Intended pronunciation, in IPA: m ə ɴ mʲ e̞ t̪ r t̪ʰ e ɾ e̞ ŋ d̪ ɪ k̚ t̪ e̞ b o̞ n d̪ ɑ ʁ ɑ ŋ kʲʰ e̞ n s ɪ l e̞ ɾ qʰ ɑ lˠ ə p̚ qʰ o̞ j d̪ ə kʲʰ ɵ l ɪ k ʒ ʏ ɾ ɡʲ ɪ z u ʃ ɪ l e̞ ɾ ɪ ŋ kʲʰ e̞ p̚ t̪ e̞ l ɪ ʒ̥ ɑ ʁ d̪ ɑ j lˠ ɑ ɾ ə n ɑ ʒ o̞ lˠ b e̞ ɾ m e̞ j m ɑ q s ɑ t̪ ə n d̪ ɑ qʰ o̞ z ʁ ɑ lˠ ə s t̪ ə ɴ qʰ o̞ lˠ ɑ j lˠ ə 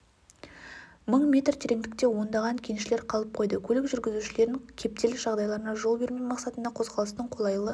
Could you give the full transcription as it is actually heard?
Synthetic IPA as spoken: m ə ɴ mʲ e̞ t̪ r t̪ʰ e ɾ e̞ ŋ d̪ ɪ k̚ t̪ e̞ w o̞ n d̪ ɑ ʁ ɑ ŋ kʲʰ e̞ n ʃ ɪ l e̞ ɾ qʰ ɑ lˠ ə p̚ qʰ o̞ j d̪ ə kʲʰ ɵ l ɪ k ʒ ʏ ɾ ɡʲ ɪ z u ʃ ɪ l e̞ ɾ ɪ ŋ kʲʰ e̞ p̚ t̪ e̞ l ɪ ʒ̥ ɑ ʁ d̪ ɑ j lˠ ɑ ɾ ə n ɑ ʒ o̞ lˠ b e̞ ɾ m e̞ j m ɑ q s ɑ t̪ ə n d̪ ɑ qʰ o̞ z ʁ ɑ lˠ ə s t̪ ə ɴ qʰ o̞ lˠ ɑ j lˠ ə

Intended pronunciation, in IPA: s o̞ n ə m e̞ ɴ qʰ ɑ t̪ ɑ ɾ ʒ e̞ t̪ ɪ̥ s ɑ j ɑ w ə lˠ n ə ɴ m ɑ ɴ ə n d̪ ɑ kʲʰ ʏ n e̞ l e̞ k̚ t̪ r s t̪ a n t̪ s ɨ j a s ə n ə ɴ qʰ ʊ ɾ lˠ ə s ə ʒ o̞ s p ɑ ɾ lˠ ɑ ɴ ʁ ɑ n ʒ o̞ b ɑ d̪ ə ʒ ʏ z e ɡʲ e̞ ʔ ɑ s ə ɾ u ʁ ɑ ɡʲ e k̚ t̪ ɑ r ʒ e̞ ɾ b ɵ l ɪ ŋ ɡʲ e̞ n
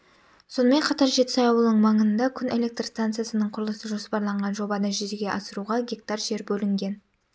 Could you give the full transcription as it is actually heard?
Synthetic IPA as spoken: s o̞ n ə m e̞ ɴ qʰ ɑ t̪ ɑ ɾ ʒ e̞ t̪ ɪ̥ s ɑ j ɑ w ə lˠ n ə ɴ m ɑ ɴ ə n d̪ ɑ kʲʰ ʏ n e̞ l e̞ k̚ t̪ r s t̪ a n t̪ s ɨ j a s ə n ə ɴ qʰ ʊ ɾ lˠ ə s ə ʒ o̞ s p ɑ ɾ lˠ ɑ ɴ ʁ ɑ n ʒ o̞ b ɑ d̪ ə ʒ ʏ z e ɡʲ e̞ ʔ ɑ s ə ɾ u ʁ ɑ ɡʲ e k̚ t̪ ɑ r ʒ e̞ ɾ b ɵ l ɪ ŋ ɡʲ e̞ n

